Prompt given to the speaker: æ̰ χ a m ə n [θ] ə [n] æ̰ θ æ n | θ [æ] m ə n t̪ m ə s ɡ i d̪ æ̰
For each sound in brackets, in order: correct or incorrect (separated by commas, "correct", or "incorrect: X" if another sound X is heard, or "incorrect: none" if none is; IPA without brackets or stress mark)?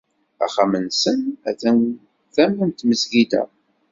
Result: incorrect: s, correct, correct